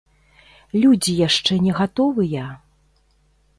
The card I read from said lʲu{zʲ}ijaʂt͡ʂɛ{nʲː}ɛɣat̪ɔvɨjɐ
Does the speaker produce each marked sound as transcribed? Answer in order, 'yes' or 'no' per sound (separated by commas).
no, no